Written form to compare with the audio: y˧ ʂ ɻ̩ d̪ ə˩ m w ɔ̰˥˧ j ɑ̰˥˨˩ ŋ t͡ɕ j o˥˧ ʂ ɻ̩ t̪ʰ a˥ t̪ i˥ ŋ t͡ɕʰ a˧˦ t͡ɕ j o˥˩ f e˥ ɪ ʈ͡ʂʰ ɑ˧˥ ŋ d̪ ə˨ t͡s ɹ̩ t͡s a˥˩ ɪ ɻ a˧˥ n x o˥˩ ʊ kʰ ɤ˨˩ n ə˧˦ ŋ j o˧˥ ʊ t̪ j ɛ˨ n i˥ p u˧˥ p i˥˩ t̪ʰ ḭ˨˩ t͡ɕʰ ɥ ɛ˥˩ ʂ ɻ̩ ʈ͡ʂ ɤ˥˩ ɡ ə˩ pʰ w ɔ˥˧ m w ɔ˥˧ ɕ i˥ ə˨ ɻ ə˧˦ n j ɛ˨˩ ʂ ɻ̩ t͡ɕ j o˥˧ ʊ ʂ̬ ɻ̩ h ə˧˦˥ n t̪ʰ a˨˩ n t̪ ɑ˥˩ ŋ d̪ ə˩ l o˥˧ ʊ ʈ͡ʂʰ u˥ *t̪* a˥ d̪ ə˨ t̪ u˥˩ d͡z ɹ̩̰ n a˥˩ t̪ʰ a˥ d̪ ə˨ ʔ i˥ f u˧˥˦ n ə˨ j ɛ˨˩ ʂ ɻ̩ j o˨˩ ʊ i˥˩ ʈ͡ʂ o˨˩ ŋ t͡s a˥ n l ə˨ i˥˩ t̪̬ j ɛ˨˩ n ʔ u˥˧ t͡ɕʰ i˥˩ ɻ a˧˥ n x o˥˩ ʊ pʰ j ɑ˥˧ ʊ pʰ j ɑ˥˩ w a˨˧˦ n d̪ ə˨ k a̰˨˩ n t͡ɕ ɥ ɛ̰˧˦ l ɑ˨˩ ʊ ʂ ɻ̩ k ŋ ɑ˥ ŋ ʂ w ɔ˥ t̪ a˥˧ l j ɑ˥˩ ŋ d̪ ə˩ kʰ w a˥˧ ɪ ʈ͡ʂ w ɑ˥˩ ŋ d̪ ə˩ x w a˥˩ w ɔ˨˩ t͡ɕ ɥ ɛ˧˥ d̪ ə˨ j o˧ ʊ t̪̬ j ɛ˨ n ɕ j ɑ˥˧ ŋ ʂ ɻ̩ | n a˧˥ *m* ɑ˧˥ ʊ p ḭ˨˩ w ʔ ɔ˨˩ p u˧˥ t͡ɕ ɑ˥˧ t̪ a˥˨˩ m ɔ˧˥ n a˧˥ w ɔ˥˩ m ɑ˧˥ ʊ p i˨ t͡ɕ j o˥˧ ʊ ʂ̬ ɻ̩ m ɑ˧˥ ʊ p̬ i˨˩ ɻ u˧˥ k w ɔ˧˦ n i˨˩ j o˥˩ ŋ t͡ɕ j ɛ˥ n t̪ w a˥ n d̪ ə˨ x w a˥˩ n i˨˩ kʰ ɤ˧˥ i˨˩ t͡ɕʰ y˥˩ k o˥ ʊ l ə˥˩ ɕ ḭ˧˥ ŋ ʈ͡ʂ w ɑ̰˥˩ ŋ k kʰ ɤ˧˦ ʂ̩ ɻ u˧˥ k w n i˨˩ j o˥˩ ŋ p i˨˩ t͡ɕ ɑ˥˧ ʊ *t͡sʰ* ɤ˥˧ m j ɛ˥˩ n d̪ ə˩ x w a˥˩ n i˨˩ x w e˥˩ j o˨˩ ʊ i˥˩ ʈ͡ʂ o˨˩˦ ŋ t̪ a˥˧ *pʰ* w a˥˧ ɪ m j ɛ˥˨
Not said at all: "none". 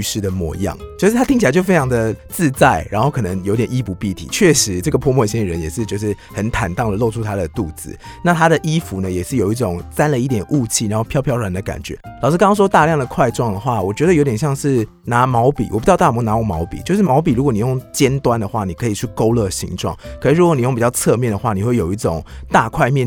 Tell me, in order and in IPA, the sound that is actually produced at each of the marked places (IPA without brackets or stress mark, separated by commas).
t̪ʰ, m, t͡sʰ, kʰ